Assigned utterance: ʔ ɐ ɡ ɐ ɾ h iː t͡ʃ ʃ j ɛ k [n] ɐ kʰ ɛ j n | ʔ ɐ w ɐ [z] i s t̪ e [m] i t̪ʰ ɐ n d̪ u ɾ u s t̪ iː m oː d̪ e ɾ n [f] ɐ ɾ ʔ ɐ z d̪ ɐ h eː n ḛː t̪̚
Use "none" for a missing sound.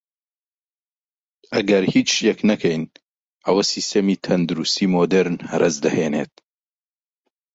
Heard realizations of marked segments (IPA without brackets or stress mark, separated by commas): n, s, m, h